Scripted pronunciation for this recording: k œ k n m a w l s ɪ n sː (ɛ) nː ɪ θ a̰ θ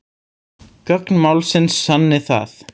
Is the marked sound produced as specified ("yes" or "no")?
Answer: no